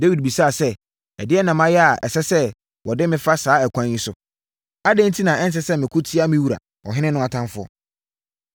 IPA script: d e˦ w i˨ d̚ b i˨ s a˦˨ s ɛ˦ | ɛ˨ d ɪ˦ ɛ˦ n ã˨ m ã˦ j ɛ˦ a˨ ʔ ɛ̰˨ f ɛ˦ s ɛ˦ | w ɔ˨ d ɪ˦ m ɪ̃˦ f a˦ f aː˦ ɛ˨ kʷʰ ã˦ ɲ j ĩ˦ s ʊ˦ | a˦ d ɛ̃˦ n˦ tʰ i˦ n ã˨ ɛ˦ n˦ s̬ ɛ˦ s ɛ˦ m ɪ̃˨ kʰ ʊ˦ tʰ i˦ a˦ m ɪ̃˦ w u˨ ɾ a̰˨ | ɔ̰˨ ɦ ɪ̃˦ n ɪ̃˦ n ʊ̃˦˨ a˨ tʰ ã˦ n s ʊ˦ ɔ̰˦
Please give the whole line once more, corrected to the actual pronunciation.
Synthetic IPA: d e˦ w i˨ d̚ b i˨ s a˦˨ s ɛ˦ | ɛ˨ d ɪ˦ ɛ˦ n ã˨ m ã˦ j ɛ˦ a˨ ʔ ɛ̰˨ s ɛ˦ s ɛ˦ | w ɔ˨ d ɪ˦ m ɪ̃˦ f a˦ s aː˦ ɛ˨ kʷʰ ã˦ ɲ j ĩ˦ s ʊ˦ | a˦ d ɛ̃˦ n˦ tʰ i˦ n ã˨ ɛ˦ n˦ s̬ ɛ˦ s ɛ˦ m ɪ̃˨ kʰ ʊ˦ tʰ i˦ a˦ m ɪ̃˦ w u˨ ɾ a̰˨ | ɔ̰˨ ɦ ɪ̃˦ n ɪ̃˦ n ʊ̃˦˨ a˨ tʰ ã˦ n f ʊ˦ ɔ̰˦